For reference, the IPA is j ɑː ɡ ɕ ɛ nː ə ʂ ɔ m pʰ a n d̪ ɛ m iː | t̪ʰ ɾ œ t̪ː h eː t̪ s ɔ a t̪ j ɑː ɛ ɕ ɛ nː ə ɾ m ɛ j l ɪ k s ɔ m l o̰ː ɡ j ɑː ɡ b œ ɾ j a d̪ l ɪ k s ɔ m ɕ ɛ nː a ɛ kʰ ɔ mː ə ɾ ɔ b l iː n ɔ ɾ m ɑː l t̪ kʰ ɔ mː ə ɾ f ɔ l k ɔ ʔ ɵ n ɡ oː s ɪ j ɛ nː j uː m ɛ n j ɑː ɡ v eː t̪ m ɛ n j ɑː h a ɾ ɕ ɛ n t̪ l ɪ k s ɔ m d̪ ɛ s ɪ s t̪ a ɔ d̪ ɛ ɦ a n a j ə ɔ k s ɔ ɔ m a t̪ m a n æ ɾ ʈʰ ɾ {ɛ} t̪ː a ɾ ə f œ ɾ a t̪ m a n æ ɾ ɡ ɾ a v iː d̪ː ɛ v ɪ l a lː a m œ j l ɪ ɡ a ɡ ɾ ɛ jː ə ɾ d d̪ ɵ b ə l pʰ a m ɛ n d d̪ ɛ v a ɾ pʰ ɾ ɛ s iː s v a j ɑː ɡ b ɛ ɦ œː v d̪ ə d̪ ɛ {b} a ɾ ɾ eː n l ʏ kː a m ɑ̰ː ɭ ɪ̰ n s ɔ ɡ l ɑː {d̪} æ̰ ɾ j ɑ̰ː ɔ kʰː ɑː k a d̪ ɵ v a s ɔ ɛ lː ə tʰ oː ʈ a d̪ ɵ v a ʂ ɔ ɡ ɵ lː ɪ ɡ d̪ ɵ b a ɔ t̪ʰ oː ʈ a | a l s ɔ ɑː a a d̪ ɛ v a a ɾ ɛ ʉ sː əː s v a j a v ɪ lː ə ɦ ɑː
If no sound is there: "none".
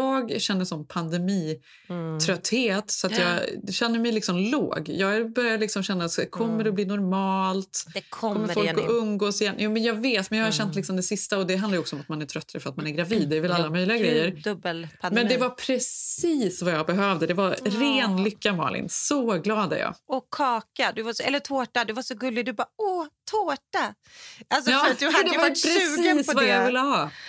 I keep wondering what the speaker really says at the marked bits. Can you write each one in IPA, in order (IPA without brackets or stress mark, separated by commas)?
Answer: œ, v, d̪